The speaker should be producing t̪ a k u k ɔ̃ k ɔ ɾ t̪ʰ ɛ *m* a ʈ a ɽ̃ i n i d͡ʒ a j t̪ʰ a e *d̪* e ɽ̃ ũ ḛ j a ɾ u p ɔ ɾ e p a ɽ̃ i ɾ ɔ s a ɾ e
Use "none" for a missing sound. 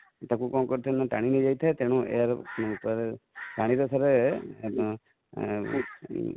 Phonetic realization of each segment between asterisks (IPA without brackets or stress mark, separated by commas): n, t̪